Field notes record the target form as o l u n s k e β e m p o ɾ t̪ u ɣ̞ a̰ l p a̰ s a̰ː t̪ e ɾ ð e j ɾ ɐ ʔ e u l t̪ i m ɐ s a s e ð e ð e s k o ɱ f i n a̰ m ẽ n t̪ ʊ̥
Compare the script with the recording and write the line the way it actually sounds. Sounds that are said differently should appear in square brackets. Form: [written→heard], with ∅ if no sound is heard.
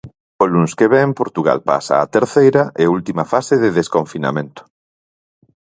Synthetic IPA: o l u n s k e β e m p o ɾ t̪ u ɣ̞ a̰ l p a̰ s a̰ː t̪ e ɾ [ð→θ] e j ɾ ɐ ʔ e u l t̪ i m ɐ [s→f] a s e ð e ð e s k o ɱ f i n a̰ m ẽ n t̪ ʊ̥